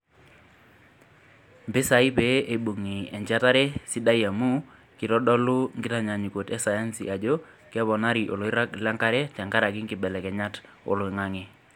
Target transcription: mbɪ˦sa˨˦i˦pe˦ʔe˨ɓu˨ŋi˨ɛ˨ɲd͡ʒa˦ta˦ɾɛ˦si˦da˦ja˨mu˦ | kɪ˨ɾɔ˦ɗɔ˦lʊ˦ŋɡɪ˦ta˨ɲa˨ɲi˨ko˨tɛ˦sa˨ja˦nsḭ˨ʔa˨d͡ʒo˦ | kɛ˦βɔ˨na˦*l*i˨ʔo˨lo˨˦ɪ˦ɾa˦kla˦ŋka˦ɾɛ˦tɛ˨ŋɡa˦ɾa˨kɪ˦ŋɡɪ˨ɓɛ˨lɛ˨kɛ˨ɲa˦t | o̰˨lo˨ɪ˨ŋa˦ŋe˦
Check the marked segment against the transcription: incorrect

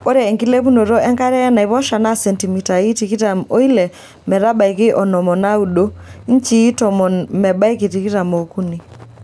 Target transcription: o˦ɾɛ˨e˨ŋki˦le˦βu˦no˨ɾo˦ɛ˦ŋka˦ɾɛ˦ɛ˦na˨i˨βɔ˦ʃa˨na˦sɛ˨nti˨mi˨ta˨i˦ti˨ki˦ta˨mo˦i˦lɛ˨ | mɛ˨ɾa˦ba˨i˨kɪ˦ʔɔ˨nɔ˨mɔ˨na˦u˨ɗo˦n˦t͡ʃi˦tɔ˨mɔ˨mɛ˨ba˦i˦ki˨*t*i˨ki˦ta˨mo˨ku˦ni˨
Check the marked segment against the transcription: correct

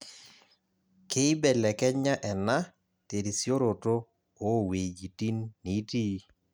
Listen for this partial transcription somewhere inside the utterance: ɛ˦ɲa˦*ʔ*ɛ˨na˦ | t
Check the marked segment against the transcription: correct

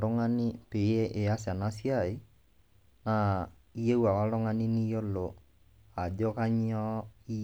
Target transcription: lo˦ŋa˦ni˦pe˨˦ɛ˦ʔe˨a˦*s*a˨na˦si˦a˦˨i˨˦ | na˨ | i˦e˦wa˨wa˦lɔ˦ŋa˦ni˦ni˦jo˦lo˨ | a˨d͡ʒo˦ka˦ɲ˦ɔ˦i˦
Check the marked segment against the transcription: correct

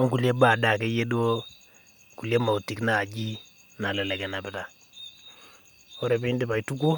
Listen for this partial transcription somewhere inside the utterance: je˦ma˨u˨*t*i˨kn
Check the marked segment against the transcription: correct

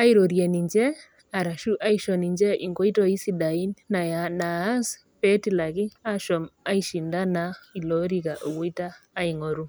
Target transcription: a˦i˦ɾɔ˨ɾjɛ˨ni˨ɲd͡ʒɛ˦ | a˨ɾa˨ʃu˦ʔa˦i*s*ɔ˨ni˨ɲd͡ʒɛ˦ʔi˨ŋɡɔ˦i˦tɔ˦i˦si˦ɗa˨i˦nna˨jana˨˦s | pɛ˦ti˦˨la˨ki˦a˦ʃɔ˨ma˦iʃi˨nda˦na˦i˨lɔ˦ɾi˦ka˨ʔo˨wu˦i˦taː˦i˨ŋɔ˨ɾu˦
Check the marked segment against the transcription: incorrect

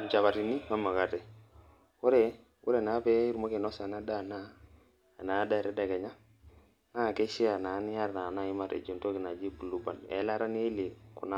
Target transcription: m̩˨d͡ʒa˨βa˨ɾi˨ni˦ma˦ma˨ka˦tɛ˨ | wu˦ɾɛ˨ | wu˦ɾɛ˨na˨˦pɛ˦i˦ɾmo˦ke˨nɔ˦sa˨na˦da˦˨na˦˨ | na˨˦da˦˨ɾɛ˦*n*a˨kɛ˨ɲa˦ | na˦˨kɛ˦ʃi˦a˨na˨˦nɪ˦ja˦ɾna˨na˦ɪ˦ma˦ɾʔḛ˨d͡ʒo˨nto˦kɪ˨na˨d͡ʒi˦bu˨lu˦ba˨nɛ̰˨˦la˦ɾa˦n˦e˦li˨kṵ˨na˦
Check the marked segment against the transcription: incorrect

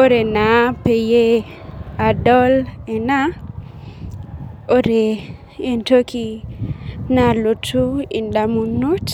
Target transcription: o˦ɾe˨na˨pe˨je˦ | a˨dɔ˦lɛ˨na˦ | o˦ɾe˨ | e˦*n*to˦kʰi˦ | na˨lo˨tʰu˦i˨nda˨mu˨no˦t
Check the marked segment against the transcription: correct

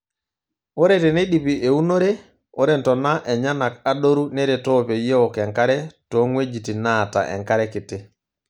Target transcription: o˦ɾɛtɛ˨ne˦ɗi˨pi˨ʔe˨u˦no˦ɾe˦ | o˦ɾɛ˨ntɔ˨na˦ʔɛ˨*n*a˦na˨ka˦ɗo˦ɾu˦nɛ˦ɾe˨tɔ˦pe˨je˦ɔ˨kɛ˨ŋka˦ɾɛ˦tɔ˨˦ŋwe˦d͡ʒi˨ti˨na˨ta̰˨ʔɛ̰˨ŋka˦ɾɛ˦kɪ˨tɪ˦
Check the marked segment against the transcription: incorrect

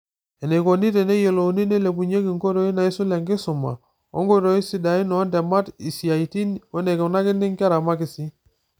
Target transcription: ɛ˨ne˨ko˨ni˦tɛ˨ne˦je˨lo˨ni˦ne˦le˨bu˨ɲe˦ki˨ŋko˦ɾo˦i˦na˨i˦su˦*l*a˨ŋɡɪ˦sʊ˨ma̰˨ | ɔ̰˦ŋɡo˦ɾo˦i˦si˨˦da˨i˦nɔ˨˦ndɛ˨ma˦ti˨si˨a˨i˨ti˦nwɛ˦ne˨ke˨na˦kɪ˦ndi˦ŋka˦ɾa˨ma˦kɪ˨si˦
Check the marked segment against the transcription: correct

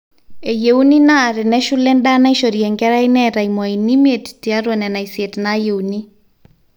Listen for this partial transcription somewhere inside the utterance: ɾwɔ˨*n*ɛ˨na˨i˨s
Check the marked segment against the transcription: correct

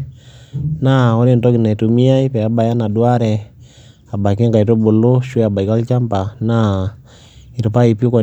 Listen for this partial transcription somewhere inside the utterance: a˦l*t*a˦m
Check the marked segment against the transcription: incorrect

